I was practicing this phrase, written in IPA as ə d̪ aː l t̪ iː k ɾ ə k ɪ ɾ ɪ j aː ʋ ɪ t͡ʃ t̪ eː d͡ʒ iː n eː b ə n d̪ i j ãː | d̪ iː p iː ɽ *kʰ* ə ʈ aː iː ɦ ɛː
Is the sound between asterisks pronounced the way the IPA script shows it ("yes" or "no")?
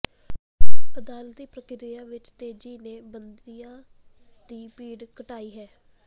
no